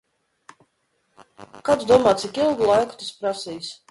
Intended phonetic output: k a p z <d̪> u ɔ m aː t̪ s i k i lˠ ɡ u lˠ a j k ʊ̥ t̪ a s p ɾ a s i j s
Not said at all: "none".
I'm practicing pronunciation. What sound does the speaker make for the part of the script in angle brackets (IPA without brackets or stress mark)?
d̪